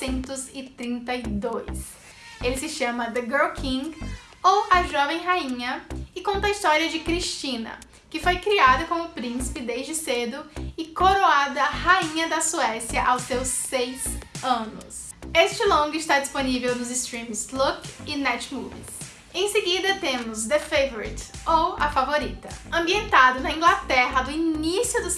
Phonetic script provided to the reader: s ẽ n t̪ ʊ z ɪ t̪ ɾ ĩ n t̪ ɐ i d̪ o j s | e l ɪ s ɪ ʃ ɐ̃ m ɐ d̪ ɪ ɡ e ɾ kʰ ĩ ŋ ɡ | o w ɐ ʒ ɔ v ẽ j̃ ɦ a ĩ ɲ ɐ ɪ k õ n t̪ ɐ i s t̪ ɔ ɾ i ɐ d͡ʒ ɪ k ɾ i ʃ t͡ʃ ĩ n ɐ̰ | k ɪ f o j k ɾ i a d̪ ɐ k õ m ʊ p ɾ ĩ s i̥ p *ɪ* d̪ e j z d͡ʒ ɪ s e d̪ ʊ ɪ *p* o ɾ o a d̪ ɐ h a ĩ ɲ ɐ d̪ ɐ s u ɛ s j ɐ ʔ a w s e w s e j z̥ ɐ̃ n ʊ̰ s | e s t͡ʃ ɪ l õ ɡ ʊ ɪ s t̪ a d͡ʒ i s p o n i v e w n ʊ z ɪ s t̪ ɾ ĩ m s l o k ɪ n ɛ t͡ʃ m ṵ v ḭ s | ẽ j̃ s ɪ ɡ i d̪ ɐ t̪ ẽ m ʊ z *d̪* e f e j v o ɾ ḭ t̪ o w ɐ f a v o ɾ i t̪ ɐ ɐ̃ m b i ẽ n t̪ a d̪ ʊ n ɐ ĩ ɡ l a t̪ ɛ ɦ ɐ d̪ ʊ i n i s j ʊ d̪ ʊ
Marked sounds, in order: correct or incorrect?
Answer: correct, incorrect, correct

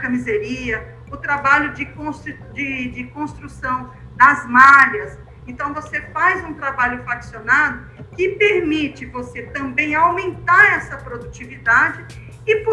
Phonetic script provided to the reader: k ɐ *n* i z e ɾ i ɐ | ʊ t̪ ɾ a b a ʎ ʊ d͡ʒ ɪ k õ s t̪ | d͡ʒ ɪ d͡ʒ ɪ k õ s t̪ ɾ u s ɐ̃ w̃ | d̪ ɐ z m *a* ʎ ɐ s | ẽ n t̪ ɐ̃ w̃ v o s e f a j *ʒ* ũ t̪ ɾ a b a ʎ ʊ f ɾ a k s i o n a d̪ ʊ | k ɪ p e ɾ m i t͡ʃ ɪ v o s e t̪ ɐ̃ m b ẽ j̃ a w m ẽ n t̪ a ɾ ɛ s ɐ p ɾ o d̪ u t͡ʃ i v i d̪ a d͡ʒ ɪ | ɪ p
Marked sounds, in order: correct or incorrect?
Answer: incorrect, correct, incorrect

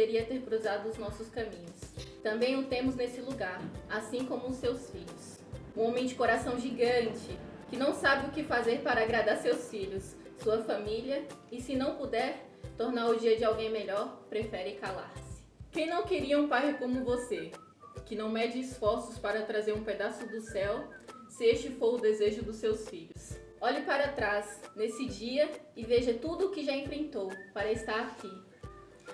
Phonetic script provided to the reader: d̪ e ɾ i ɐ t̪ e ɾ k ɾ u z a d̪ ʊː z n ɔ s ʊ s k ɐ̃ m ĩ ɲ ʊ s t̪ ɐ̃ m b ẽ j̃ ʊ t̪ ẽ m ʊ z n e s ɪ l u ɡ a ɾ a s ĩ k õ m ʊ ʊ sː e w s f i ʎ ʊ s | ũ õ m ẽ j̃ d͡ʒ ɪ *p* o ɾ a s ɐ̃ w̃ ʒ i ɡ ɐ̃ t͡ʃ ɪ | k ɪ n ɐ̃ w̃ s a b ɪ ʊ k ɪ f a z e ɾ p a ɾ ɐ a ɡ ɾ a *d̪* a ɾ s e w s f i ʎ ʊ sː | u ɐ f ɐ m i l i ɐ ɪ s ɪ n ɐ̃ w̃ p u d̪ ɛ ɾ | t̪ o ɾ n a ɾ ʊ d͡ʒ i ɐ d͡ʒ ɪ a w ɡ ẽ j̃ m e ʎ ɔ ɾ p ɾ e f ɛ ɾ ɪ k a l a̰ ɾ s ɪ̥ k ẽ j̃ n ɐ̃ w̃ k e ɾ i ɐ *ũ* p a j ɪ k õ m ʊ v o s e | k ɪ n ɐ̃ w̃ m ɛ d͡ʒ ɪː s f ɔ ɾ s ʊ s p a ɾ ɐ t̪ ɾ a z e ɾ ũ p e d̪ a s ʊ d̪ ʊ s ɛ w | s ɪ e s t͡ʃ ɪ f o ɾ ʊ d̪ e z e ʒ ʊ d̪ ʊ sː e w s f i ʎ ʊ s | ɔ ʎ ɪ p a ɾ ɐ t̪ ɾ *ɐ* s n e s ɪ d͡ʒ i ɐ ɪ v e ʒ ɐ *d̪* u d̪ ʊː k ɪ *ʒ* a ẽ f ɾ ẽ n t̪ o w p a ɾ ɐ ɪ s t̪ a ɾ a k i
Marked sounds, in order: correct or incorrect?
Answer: incorrect, correct, correct, incorrect, incorrect, correct

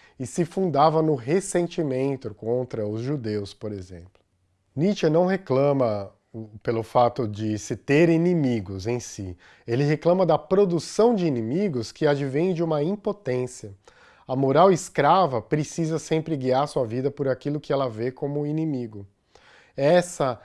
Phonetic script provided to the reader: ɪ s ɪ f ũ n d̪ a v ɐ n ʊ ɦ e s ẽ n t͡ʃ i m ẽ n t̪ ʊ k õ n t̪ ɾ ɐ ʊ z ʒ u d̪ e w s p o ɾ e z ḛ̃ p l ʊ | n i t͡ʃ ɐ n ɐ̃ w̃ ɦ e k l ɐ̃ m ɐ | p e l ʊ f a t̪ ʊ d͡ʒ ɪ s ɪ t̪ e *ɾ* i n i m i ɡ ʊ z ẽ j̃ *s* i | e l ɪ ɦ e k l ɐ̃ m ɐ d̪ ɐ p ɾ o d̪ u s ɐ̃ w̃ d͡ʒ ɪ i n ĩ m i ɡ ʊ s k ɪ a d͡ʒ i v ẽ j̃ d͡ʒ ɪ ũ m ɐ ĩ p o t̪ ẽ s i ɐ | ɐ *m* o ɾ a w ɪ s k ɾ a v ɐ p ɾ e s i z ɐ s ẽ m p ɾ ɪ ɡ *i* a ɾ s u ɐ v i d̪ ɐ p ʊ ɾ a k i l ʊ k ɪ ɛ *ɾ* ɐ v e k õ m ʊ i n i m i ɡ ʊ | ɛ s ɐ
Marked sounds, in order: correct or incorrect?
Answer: correct, correct, correct, correct, incorrect

